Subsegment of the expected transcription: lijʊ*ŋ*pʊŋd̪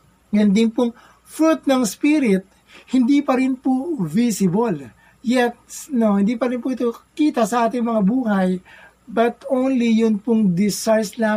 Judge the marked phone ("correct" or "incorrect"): incorrect